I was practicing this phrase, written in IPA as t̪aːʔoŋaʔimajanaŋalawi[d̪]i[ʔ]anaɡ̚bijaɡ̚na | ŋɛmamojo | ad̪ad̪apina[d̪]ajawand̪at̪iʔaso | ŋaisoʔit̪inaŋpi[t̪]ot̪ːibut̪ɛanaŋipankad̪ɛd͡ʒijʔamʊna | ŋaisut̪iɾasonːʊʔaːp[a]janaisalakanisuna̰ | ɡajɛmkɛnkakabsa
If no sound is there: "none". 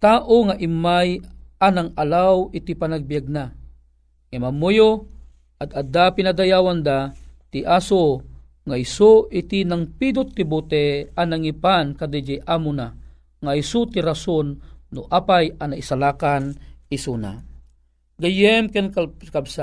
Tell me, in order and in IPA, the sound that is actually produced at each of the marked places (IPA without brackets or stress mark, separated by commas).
t̪, p, d̪, d̪, a